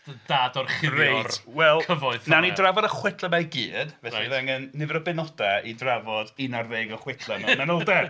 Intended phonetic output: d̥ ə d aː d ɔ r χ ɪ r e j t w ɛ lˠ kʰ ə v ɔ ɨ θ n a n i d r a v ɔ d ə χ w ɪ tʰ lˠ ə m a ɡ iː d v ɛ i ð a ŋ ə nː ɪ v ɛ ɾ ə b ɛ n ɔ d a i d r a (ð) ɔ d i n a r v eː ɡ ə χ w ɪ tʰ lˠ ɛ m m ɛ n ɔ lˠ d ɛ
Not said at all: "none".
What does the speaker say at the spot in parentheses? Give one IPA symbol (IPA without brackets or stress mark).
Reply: v